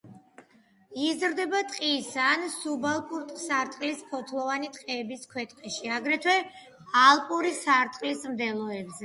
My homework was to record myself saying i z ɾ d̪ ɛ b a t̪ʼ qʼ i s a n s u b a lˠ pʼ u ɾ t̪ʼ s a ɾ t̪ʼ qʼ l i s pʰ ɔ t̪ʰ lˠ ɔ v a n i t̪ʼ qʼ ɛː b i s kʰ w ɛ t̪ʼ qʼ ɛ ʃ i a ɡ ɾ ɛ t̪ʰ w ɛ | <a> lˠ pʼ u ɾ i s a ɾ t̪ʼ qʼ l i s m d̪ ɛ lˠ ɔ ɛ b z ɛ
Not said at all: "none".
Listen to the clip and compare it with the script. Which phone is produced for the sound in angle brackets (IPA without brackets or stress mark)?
a